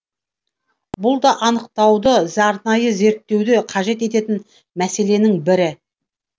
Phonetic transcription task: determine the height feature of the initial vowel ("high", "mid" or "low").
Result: high